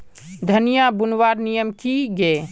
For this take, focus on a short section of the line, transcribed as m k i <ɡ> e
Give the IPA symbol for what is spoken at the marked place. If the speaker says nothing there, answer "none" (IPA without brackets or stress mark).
ɡ